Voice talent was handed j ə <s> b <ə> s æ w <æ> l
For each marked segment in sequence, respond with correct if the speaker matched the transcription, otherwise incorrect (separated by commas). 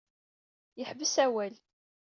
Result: incorrect, correct, correct